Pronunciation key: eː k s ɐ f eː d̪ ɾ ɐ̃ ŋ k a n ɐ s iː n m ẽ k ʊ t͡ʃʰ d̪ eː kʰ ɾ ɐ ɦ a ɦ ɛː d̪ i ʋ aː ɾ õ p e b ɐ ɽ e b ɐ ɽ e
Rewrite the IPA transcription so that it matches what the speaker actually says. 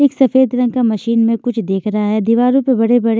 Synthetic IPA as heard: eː k s ɐ f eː d̪ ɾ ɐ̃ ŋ k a m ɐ ʃ iː n m ẽ k ʊ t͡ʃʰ d̪ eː kʰ ɾ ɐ ɦ a ɦ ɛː d̪ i ʋ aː ɾ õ p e b ɐ ɽ e b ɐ ɽ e